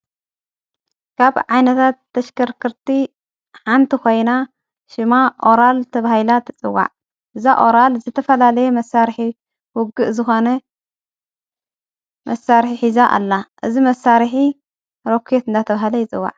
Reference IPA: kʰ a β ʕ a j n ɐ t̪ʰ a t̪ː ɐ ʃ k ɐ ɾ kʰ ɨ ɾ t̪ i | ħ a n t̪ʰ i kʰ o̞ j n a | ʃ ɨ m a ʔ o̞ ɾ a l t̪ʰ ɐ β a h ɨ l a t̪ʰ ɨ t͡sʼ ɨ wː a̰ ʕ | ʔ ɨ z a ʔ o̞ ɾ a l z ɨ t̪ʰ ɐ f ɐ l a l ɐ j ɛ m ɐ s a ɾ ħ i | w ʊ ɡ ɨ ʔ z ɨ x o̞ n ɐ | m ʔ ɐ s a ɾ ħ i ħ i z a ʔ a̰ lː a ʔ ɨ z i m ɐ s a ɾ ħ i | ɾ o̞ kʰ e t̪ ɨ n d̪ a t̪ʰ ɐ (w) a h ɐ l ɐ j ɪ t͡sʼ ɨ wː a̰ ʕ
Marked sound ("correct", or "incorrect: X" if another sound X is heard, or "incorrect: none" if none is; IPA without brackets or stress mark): incorrect: β